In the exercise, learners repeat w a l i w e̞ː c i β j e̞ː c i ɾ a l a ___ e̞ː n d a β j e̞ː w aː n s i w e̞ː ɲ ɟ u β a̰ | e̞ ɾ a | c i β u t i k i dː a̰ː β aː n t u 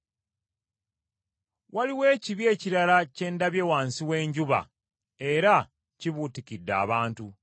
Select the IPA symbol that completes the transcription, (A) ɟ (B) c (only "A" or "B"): B